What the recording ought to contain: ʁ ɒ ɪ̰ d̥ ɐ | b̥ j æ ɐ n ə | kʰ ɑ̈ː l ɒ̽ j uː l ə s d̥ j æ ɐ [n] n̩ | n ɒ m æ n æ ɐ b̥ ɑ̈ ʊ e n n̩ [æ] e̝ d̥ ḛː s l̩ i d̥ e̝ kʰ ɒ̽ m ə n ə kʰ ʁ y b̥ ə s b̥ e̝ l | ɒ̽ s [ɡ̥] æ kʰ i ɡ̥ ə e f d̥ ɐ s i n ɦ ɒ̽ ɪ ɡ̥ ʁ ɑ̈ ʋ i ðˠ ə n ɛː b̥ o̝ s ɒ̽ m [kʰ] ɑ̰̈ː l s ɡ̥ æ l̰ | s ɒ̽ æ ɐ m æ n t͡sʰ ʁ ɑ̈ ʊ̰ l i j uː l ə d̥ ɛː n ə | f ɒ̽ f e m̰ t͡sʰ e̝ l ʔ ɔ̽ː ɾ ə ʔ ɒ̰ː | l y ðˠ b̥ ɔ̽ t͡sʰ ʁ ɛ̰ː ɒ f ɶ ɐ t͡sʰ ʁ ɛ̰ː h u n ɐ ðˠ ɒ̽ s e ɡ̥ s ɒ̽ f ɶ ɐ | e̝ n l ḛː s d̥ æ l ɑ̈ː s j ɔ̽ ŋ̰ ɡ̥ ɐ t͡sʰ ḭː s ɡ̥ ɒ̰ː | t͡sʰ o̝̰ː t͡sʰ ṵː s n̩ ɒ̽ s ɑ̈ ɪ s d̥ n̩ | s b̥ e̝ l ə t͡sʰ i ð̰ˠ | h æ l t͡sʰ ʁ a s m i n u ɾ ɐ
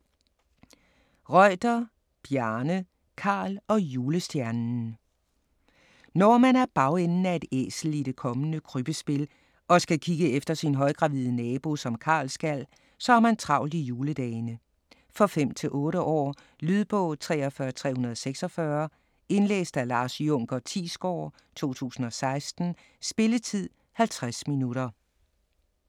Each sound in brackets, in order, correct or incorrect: correct, correct, correct, correct

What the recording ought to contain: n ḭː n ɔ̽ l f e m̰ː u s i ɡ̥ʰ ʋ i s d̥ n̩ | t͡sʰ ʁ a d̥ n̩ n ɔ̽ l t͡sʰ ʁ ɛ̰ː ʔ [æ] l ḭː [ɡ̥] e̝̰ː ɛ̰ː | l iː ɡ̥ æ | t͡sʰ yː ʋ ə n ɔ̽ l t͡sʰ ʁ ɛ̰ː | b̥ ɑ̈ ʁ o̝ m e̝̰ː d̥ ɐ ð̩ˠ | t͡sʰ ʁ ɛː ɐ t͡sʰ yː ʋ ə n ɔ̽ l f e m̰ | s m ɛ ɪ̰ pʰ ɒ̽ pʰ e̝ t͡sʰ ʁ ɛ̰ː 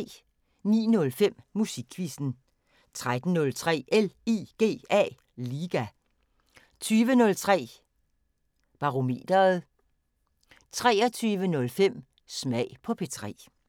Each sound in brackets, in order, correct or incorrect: incorrect, correct

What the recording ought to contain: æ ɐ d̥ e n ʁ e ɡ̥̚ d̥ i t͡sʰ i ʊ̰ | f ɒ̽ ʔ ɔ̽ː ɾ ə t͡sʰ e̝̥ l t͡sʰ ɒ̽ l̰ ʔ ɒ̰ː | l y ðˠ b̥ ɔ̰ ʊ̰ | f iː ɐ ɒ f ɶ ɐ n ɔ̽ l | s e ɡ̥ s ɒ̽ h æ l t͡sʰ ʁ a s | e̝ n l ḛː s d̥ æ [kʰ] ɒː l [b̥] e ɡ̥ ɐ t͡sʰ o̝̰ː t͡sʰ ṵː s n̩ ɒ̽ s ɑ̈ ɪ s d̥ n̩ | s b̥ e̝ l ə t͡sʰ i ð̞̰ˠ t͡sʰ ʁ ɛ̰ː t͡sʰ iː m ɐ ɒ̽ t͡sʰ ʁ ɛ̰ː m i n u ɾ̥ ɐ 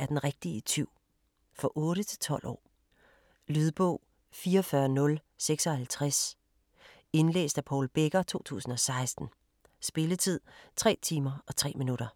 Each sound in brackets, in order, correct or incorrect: incorrect, correct

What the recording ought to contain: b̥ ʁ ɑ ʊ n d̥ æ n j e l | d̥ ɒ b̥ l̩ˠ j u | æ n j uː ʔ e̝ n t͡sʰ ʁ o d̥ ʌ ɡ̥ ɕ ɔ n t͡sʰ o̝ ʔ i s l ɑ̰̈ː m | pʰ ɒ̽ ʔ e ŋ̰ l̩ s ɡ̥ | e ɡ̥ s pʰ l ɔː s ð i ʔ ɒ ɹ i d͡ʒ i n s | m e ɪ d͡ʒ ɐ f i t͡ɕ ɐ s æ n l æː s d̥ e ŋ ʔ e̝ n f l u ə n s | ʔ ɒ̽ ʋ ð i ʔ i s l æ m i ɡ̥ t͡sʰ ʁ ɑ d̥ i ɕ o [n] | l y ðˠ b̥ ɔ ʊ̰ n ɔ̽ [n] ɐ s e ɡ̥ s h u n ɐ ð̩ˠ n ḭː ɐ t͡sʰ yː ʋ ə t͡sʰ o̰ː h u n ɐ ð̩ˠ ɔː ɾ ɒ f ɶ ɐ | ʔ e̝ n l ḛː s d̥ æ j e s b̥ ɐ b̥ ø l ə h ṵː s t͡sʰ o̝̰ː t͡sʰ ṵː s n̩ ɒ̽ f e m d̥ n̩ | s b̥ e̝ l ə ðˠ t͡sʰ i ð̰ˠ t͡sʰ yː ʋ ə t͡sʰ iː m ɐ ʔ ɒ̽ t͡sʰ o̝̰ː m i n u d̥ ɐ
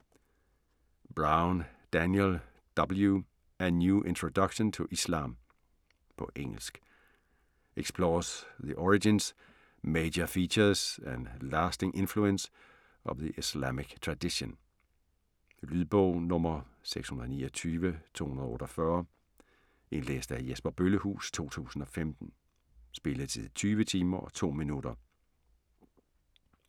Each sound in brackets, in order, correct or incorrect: correct, incorrect

